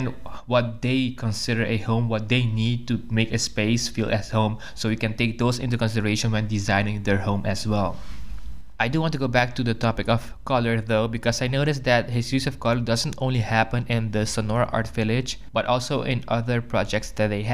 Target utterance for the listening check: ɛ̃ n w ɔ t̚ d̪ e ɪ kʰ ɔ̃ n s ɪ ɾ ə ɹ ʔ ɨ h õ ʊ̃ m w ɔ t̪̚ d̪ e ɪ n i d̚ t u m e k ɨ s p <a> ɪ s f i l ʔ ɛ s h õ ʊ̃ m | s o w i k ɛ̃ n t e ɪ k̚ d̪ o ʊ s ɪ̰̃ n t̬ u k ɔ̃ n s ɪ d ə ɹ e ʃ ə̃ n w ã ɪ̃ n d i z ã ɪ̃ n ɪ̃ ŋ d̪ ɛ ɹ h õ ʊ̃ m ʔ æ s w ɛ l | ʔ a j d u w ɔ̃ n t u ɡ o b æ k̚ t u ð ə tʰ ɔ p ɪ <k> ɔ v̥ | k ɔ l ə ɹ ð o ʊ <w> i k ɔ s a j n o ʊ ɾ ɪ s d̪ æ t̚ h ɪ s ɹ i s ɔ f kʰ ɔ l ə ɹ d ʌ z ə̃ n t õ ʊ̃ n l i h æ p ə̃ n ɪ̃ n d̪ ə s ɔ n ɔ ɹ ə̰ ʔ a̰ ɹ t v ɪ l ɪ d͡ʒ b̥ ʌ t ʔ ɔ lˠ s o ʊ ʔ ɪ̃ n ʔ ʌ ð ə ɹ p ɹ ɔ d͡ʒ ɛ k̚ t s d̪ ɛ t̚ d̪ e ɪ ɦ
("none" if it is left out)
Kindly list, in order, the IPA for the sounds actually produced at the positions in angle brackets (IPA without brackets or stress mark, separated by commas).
e, k, b